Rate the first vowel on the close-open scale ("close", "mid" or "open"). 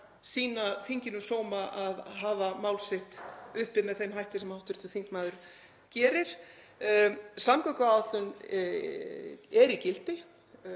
close